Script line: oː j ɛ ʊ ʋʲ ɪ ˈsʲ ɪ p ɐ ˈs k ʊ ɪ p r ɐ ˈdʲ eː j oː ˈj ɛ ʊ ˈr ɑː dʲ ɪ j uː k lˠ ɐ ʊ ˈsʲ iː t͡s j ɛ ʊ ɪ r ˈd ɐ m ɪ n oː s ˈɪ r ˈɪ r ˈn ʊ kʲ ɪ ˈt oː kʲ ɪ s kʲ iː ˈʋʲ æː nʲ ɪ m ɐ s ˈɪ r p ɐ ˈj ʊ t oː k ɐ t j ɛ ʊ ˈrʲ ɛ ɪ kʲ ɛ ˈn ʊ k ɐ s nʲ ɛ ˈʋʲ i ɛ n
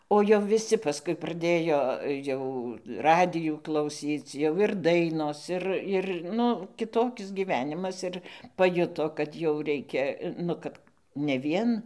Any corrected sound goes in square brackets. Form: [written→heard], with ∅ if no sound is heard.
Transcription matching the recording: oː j ɛ ʊ ʋʲ ɪ ˈsʲ ɪ p ɐ ˈs k ʊ ɪ p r ɐ ˈdʲ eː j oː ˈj ɛ ʊ ˈr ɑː dʲ ɪ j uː k lˠ ɐ ʊ ˈsʲ iː t͡s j ɛ ʊ ɪ r ˈd ɐ [m→∅] ɪ n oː s ˈɪ r ˈɪ r ˈn ʊ kʲ ɪ ˈt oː kʲ ɪ s [kʲ→ɡʲ] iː ˈʋʲ æː nʲ ɪ m ɐ s ˈɪ r p ɐ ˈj ʊ t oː k ɐ t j ɛ ʊ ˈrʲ ɛ ɪ kʲ ɛ ˈn ʊ k ɐ [s→t] nʲ ɛ ˈʋʲ i ɛ n